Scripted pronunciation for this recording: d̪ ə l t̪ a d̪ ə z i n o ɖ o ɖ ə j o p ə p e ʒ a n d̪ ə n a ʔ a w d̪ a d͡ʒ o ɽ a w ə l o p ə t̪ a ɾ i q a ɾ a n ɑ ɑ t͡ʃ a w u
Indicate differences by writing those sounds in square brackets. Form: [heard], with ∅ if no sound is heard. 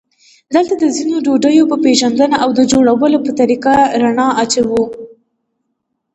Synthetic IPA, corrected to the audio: d̪ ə l t̪ a d̪ ə z i n o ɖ o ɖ ə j o p ə p e ʒ a n d̪ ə n a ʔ a w d̪ [ə] d͡ʒ o ɽ a w ə l o p ə t̪ a ɾ i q a ɾ a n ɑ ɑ t͡ʃ a w u